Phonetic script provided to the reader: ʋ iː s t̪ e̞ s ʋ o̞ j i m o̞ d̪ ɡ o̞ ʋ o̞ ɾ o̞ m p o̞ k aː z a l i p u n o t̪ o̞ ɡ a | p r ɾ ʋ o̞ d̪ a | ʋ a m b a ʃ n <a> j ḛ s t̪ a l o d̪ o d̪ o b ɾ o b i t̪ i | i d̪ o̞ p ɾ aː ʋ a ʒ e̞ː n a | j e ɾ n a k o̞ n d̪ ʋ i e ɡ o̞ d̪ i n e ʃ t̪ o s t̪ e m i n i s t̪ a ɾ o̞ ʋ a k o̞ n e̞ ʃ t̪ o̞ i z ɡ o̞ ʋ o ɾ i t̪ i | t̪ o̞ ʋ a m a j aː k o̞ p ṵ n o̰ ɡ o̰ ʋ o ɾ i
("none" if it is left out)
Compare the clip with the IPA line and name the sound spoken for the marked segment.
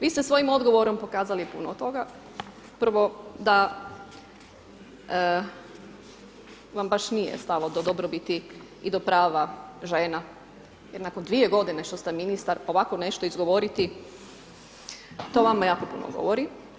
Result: i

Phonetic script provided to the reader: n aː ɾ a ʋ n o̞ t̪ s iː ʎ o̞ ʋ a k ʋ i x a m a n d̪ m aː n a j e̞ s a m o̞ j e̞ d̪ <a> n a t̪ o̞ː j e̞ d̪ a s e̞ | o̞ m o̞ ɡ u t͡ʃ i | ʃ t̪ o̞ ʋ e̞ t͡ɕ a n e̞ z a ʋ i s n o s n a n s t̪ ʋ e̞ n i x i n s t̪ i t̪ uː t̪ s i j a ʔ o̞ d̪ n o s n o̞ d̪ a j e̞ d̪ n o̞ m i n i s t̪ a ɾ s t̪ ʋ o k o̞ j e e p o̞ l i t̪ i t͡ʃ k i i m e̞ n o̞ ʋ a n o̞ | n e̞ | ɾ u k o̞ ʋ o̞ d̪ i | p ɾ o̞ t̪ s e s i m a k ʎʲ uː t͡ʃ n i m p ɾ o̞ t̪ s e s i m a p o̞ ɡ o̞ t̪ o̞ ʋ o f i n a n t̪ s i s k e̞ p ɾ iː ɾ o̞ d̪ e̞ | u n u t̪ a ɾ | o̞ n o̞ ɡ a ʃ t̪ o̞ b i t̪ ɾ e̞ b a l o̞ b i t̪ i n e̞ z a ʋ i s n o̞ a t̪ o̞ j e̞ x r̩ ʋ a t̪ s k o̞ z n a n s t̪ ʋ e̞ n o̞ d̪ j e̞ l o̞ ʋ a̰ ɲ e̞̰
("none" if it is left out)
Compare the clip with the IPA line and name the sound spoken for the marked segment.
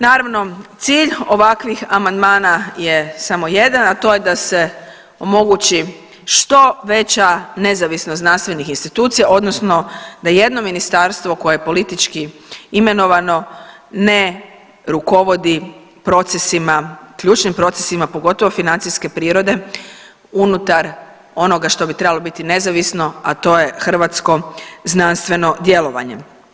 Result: a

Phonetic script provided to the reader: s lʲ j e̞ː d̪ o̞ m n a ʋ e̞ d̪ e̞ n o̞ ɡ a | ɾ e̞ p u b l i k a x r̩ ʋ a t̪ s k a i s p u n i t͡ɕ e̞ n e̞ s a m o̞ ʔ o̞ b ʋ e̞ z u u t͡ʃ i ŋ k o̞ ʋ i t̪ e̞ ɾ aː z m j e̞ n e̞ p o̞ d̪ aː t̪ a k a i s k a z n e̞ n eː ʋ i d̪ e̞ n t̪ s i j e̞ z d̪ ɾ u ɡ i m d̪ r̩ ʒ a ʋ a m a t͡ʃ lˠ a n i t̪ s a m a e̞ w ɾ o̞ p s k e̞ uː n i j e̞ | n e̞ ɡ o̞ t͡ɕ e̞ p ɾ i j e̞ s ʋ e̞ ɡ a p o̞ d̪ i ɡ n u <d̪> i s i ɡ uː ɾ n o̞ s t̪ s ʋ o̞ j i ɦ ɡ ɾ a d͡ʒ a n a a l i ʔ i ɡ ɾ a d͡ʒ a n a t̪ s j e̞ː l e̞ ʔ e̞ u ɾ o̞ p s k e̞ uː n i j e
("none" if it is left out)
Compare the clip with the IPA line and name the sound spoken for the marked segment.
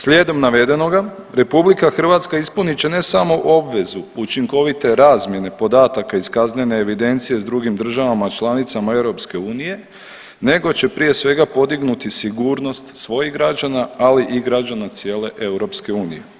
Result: t̪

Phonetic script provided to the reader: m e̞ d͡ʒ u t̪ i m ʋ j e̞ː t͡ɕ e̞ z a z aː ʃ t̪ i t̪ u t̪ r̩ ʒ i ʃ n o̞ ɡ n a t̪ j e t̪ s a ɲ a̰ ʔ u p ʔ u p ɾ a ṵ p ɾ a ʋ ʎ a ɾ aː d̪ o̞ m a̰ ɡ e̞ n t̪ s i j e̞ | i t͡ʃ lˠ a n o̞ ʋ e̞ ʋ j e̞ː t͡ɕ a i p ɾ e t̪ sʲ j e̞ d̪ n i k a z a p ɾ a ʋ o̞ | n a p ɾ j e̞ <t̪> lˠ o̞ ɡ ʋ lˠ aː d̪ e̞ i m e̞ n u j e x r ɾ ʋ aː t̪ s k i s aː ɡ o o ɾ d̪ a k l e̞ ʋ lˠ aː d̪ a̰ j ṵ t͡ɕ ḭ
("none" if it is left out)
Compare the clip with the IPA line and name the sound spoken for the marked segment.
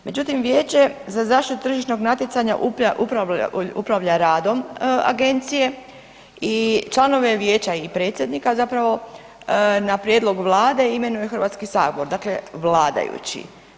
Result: d̪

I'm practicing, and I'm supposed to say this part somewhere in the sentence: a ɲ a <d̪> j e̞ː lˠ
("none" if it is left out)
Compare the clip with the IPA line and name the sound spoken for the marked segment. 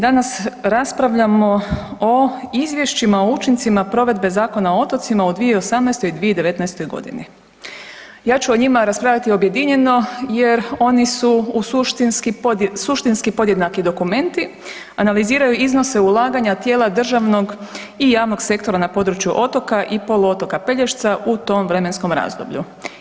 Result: t̪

